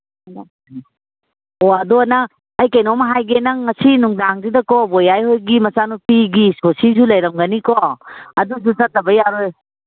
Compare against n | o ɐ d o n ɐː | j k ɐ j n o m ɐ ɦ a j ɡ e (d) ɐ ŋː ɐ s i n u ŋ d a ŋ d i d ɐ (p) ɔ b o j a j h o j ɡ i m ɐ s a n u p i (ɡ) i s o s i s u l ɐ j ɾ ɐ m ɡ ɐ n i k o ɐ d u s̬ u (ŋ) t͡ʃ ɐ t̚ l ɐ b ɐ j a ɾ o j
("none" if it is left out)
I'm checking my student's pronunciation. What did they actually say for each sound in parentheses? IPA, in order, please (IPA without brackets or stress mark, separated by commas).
n, k, ɡ, none